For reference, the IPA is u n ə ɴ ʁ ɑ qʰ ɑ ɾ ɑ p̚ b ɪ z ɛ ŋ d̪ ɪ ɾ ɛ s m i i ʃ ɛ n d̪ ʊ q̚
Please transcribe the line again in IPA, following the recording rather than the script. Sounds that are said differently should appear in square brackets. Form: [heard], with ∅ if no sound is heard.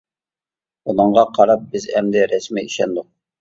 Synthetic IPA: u n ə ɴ ʁ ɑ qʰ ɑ ɾ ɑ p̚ b ɪ z ɛ [m] d̪ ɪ ɾ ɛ s m i i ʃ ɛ n d̪ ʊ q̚